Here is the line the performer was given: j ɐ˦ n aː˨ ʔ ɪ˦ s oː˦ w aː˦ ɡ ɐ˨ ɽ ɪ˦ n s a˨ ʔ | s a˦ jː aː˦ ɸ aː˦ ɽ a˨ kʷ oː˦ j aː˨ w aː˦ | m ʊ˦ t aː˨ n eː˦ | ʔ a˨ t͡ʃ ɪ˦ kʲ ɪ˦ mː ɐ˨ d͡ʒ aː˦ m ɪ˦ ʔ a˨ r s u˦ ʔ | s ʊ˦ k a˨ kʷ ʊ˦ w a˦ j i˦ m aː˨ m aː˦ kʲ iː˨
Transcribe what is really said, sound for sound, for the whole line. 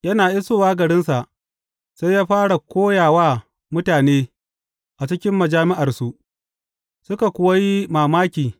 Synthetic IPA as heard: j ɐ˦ n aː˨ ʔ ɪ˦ s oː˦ w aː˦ ɡ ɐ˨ ɽ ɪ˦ n s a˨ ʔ | s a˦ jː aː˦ ɸ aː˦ ɽ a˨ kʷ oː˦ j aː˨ w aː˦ | m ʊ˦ t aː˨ n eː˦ | ʔ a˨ t͡ʃ ɪ˦ kʲ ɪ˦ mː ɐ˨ d͡ʒ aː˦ m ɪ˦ ʔ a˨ r s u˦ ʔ | s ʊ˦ k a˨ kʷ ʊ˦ w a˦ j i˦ m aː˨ m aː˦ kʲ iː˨